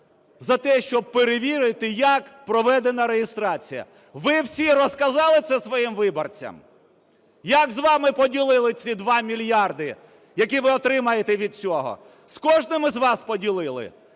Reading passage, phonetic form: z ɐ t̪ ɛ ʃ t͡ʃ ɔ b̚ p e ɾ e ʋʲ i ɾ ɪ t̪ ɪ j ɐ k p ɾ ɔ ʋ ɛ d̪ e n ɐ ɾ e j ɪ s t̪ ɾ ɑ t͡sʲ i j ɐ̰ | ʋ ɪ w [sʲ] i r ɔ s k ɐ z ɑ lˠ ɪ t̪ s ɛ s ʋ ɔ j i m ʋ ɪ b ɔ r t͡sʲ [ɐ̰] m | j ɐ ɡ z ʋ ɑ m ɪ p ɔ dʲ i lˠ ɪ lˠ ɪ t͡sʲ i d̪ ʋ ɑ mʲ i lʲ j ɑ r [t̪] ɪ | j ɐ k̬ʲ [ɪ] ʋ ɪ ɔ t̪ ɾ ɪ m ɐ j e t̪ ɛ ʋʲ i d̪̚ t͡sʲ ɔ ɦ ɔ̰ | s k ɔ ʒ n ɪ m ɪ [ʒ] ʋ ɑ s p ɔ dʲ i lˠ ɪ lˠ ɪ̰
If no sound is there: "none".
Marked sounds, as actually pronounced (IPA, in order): sʲ, ɐ̰, d̪, i, z

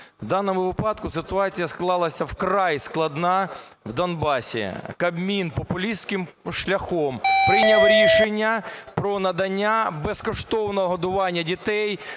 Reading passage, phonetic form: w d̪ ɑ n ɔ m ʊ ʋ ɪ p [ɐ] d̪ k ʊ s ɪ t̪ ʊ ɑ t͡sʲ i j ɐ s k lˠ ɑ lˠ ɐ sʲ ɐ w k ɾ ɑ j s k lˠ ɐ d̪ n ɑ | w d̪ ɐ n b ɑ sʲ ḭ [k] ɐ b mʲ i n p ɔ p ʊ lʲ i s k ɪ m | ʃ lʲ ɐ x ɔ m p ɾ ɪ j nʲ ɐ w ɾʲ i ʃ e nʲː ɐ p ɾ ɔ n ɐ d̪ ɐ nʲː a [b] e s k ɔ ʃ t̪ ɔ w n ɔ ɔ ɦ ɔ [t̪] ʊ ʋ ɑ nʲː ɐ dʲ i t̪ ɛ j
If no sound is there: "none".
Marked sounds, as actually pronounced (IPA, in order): ɑ, k, b, d̪

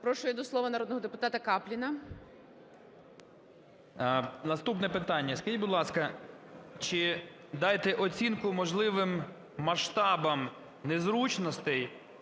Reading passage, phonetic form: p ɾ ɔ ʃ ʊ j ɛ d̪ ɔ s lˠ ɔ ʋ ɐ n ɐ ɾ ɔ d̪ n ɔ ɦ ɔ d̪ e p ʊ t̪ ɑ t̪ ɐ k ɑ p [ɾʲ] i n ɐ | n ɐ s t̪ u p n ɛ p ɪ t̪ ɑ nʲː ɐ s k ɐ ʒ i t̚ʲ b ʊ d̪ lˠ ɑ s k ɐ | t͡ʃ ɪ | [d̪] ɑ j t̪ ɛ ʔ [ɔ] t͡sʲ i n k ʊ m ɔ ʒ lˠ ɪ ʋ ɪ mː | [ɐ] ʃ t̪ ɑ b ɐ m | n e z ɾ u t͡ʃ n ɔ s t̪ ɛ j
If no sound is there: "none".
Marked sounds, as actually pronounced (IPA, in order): lʲ, d̪, ɔ, ɐ

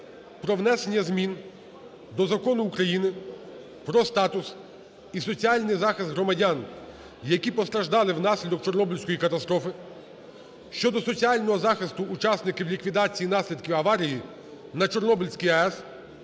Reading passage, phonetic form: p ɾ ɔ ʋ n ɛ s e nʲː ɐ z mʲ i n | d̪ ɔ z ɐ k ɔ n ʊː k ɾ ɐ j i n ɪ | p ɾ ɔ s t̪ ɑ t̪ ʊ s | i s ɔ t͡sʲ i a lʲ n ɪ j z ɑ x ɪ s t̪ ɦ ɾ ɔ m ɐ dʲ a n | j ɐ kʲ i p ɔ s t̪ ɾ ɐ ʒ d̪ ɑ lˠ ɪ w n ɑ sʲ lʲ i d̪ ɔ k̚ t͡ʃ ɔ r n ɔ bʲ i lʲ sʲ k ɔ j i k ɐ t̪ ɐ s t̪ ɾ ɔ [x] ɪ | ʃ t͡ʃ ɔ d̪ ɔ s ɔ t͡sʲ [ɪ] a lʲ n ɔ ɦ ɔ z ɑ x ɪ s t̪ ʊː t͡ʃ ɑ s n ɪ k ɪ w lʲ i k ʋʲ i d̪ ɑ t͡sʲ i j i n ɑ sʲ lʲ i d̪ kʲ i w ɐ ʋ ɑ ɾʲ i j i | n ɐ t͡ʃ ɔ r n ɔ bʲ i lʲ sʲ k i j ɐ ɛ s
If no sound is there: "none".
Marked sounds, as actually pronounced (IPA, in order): f, i

